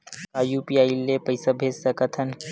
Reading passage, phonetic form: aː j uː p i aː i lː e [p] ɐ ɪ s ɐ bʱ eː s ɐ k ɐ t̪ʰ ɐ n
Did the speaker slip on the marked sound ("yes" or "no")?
no